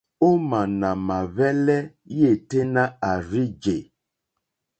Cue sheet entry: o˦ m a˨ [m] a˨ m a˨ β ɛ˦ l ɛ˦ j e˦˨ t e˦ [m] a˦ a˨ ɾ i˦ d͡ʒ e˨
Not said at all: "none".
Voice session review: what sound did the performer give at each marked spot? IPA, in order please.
n, n

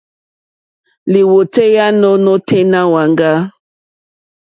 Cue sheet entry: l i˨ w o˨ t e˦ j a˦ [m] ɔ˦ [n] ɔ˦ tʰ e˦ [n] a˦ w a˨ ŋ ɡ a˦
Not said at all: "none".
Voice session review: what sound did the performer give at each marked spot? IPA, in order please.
n, n, n

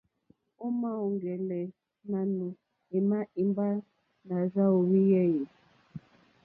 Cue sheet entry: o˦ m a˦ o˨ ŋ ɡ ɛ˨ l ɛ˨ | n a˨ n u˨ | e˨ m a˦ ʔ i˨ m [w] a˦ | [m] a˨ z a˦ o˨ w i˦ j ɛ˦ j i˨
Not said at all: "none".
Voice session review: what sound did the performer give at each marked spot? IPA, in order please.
b, n

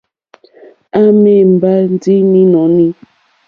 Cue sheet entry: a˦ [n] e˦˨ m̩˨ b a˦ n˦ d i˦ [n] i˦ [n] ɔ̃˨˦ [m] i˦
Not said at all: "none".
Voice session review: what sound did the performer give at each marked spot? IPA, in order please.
m, n, n, n

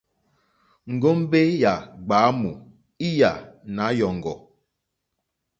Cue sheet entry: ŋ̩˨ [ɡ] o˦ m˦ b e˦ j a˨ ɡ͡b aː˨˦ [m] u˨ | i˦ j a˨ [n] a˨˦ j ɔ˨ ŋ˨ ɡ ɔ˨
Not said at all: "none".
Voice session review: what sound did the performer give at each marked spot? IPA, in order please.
ɡ, m, n

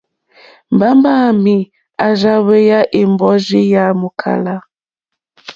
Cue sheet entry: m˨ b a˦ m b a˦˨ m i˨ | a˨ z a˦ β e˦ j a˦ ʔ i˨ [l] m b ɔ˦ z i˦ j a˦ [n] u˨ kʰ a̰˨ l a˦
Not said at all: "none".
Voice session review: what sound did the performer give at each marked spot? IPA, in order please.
none, m

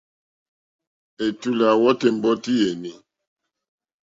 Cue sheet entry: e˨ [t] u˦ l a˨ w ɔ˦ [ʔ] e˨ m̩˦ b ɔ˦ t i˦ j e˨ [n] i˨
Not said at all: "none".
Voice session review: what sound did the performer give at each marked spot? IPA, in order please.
t, t, n

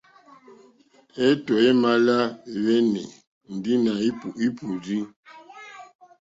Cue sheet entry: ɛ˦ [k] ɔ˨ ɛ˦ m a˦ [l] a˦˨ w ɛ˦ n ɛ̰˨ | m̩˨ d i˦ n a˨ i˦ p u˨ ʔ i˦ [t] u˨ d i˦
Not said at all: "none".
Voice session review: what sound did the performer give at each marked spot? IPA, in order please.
t, l, p

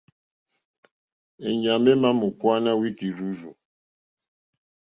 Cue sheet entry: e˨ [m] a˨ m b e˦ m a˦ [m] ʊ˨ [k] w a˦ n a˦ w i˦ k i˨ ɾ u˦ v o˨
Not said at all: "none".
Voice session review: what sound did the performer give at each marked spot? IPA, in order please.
ɲ, m, k

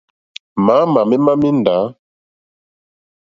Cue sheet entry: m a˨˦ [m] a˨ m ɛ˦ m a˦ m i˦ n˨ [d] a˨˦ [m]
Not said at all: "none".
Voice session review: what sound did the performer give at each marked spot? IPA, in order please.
m, d, none

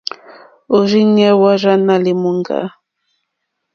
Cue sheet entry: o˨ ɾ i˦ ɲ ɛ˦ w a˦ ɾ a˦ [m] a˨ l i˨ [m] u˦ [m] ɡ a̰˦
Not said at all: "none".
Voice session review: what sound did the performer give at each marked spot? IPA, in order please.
n, m, ŋ

